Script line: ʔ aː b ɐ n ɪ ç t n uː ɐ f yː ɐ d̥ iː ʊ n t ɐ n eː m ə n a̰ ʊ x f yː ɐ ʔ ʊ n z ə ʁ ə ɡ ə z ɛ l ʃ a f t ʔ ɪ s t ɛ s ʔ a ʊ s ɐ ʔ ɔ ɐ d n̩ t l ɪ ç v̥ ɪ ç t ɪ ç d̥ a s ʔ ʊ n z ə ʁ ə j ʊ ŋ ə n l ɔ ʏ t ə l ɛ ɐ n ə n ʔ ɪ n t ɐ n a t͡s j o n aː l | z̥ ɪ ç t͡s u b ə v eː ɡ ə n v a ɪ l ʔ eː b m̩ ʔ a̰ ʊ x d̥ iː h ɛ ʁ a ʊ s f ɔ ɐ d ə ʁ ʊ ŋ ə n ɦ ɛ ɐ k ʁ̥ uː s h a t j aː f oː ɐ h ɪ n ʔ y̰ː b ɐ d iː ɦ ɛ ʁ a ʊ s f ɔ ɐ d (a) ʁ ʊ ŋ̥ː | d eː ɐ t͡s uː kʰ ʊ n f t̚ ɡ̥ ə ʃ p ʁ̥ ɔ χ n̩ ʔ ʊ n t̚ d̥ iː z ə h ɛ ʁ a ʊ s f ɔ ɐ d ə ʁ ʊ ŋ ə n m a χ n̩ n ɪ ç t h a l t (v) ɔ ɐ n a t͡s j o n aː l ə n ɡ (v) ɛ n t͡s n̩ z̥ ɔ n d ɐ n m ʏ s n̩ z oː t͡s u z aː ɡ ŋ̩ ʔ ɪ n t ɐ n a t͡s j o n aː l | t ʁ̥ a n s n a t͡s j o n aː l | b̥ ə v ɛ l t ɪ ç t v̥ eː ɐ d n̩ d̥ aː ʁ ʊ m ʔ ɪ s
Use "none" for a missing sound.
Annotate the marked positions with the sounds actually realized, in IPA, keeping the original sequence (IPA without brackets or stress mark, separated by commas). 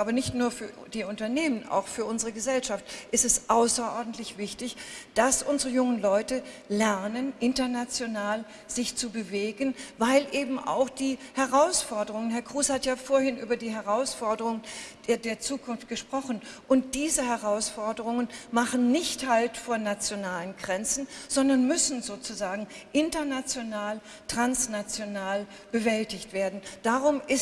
ə, f, ʁ